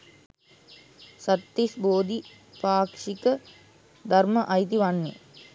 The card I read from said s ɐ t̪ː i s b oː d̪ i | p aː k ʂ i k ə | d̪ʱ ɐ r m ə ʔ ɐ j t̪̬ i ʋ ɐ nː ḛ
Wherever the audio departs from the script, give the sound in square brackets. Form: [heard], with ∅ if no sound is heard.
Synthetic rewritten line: s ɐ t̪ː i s b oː d̪ i | p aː k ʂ i k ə | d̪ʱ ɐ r m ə ʔ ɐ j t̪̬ i ʋ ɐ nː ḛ